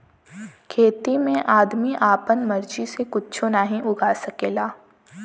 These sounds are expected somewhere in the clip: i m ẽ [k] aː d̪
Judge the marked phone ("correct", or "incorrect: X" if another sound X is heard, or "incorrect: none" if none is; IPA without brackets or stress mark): incorrect: ʔ